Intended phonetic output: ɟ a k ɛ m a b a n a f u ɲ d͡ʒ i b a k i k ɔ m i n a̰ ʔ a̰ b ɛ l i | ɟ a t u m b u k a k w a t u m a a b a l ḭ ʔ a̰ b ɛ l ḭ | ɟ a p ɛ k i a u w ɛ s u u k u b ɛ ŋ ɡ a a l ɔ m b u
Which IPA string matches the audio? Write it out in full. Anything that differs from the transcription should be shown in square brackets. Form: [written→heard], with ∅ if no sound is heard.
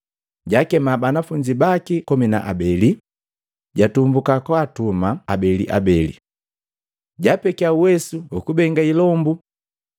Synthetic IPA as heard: ɟ a k ɛ m a b a n a f u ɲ d͡ʒ i b a k i k ɔ m i n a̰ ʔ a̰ b ɛ l i | ɟ a t u m b u k a k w a t u m a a b [a→ɛ] l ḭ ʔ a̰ b ɛ l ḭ | ɟ a p ɛ k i a u w ɛ s u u k u b ɛ ŋ ɡ a [a→i] l ɔ m b u